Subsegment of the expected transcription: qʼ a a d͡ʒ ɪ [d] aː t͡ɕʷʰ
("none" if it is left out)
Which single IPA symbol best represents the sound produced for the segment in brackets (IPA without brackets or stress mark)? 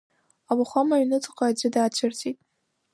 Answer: d